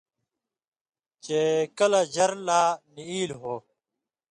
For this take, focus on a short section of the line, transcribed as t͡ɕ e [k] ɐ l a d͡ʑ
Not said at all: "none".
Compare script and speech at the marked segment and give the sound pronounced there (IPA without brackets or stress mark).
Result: k